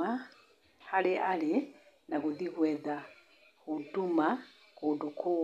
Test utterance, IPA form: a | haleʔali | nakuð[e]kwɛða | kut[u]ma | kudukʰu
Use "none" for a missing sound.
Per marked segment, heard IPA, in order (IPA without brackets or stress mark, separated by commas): i, u